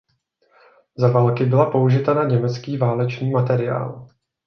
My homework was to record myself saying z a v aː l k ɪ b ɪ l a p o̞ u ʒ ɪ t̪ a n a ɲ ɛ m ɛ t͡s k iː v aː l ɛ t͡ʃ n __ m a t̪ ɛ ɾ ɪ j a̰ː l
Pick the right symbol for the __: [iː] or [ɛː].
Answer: iː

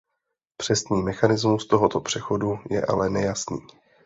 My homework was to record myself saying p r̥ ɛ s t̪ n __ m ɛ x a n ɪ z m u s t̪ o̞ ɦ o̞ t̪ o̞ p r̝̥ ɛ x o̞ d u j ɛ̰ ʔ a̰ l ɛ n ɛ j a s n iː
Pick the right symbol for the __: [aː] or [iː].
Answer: iː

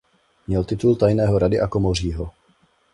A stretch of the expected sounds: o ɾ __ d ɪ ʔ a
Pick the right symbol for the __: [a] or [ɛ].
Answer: a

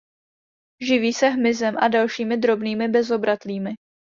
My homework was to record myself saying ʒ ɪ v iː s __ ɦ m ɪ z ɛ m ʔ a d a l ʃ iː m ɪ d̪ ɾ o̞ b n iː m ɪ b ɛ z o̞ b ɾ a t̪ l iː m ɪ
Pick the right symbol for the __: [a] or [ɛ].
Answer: ɛ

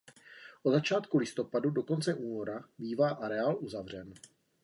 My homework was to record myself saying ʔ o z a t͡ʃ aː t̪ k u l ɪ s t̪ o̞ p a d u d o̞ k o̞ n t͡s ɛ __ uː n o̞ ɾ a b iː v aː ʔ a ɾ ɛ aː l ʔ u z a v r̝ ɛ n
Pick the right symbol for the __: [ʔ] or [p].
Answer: ʔ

